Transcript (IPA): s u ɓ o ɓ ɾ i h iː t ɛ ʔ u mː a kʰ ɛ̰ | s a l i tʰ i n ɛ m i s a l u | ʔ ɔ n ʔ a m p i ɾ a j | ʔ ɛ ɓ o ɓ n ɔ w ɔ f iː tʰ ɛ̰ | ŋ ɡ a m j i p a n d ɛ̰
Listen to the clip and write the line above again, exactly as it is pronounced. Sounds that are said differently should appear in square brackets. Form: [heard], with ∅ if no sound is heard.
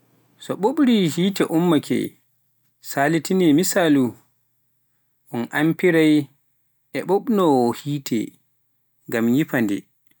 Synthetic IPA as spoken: s [ɔ] ɓ o ɓ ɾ i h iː t ɛ ʔ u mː a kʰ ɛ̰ | s a l i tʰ i n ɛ m i s a l u | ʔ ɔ n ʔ a m p i ɾ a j | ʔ ɛ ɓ o ɓ n ɔ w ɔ [h] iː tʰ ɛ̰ | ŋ ɡ a m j i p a n d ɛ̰